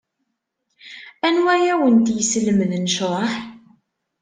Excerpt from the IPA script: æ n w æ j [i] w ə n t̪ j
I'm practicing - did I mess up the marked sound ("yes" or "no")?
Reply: yes